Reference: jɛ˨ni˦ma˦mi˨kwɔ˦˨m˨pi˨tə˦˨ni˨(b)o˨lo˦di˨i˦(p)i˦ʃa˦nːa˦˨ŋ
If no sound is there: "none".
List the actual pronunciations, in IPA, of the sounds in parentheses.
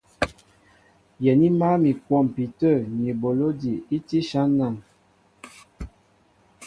b, t

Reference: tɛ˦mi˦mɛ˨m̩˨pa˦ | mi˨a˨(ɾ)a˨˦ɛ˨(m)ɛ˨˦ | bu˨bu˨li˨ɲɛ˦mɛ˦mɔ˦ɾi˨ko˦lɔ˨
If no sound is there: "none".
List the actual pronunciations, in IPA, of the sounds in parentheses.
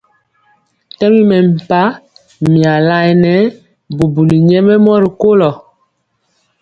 l, n

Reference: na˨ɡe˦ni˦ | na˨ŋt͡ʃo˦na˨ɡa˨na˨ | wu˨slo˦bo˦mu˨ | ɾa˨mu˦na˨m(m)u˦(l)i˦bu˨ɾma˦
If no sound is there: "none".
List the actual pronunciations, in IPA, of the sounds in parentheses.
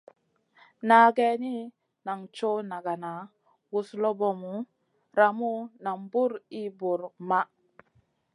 b, ɾ

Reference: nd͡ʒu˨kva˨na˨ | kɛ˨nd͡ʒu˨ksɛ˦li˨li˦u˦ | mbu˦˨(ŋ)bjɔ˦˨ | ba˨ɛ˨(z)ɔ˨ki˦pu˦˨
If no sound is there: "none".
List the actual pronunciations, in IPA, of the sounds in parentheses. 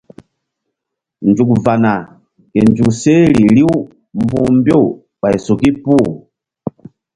m, s

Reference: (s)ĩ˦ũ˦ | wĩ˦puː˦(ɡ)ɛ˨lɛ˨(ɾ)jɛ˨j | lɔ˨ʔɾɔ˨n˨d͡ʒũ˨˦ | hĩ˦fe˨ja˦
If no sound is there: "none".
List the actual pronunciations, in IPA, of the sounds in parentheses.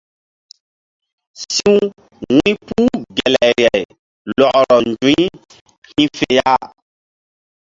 s, ɡ, ɾ

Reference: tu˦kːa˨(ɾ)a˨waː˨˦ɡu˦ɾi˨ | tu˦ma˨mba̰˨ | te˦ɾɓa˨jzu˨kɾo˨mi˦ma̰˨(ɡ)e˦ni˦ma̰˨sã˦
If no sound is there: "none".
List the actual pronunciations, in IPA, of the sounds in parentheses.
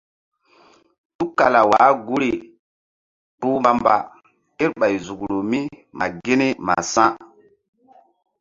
l, ɡ

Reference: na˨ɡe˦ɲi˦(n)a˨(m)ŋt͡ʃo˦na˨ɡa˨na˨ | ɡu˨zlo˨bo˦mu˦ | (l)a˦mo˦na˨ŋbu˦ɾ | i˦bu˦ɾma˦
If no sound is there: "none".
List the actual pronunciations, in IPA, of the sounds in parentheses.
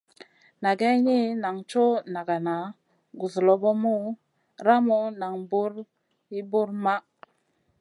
n, none, ɾ

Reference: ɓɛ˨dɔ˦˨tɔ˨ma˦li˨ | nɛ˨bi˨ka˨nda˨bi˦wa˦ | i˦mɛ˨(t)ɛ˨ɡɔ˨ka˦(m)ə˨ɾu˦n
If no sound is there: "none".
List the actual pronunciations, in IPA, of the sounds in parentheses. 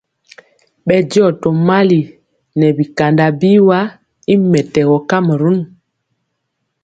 t, m

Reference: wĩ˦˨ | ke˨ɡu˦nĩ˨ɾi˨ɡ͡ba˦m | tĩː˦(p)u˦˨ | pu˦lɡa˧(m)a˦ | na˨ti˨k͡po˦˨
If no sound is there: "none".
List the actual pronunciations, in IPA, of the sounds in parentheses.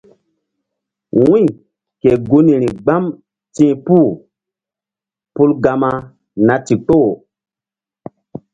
p, m

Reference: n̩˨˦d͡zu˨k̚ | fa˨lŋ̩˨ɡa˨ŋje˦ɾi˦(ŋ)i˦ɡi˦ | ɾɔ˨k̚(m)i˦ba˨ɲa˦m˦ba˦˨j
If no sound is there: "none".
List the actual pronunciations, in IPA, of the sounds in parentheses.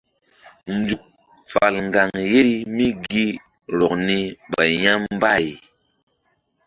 m, n

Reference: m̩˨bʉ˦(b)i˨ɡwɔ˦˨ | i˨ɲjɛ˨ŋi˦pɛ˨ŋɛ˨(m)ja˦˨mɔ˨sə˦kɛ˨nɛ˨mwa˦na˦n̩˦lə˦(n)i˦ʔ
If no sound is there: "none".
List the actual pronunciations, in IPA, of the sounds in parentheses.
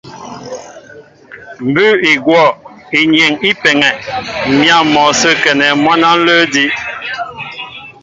none, m, d

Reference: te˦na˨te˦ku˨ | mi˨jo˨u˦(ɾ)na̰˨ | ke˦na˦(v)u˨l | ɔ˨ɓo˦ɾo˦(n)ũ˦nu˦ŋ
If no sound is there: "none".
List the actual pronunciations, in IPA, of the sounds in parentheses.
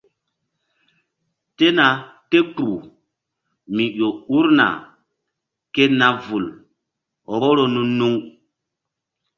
ɾ, v, n

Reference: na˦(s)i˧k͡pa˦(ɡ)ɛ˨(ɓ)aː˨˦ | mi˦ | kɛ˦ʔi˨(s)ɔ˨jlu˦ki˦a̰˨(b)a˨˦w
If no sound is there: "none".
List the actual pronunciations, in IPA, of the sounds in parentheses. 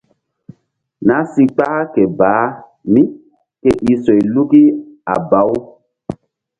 s, k, b, s, b

